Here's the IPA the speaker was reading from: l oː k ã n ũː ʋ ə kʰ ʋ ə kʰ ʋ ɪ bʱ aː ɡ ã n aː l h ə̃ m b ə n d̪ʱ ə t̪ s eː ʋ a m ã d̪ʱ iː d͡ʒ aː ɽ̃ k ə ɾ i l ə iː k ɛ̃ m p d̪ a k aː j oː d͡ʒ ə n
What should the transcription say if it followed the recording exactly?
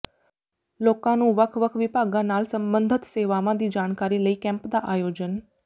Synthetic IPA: l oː k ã n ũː ʋ ə kʰ ʋ ə kʰ ʋ ɪ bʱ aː ɡ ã n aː l s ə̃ m b ə n d̪ʱ ə t̪ s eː ʋ a m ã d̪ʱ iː d͡ʒ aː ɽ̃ k a ɾ i l ə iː k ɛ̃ m p d̪ a ʔ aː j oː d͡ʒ ə n